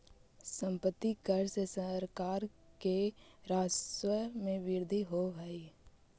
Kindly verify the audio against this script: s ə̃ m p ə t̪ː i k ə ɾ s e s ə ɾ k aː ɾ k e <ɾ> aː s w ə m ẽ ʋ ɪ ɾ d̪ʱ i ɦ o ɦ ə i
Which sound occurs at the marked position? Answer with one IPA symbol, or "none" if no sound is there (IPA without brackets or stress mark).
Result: ɾ